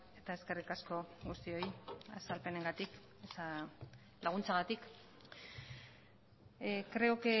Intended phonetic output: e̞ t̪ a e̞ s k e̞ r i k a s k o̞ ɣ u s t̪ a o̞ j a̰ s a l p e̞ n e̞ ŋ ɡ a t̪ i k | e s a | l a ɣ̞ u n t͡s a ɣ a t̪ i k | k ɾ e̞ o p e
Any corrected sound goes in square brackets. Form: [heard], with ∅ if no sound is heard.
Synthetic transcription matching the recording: e̞ t̪ a e̞ s k e̞ r i k a s k o̞ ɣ u s t̪ [i] o̞ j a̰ s a l p e̞ n e̞ ŋ ɡ a t̪ i k | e s a | l a ɣ̞ u n t͡s a ɣ a t̪ i k | k ɾ e̞ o [k] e

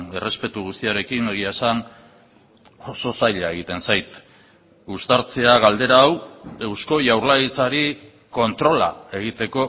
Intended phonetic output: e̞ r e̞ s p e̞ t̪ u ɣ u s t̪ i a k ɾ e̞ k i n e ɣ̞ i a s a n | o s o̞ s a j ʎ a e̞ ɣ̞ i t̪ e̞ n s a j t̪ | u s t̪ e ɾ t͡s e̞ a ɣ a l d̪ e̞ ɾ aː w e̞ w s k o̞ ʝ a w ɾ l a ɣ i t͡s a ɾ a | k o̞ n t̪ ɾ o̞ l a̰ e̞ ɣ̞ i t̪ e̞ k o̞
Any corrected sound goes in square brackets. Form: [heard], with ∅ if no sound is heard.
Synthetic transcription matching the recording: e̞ r e̞ s p e̞ t̪ u ɣ u s t̪ i a [∅] ɾ e̞ k i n e ɣ̞ i a s a n | o s o̞ s a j ʎ a e̞ ɣ̞ i t̪ e̞ n s a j t̪ | u s t̪ [a] ɾ t͡s e̞ a ɣ a l d̪ e̞ ɾ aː w e̞ w s k o̞ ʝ a w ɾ l a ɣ i t͡s a ɾ [i] | k o̞ n t̪ ɾ o̞ l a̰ e̞ ɣ̞ i t̪ e̞ k o̞

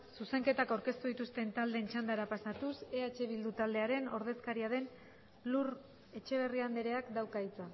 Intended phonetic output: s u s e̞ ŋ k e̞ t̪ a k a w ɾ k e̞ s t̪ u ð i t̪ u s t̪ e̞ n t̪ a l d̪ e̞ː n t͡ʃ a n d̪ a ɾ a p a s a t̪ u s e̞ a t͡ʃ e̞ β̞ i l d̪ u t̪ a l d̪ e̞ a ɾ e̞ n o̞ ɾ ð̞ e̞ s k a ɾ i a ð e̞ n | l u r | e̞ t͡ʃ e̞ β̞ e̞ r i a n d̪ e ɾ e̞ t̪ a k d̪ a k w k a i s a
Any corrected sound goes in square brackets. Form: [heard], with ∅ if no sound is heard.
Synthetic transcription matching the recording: s u s e̞ ŋ k e̞ t̪ a k a w ɾ k e̞ s t̪ u ð i t̪ u s t̪ e̞ n t̪ a l d̪ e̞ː n t͡ʃ a n d̪ a ɾ a p a s a t̪ u s e̞ a t͡ʃ e̞ β̞ i l d̪ u t̪ a l d̪ e̞ a ɾ e̞ n o̞ ɾ ð̞ e̞ s k a ɾ i a ð e̞ n | l u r | e̞ t͡ʃ e̞ β̞ e̞ r i a n d̪ e ɾ e̞ [∅] a k d̪ a [∅] w k a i [t͡s] a

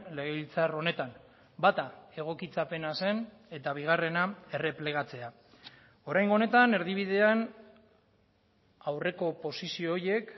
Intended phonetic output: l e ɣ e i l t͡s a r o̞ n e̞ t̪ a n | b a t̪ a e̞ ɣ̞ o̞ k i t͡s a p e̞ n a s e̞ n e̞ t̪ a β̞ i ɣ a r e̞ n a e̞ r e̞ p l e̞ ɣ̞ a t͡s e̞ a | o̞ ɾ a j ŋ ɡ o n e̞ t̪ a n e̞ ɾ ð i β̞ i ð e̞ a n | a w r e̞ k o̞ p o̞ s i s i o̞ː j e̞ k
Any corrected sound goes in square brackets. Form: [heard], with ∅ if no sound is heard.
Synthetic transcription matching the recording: l e ɣ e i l t͡s a r o̞ n e̞ t̪ a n | b a t̪ a e̞ ɣ̞ o̞ k i t͡s a p e̞ n a s e̞ n e̞ t̪ a β̞ i ɣ a r e̞ n a e̞ r e̞ p l e̞ ɣ̞ a t͡s e̞ a | o̞ ɾ a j ŋ ɡ o n e̞ t̪ a n e̞ ɾ ð i β̞ i ð e̞ a n | a w r e̞ k o̞ p o̞ s i s i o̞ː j e̞ k

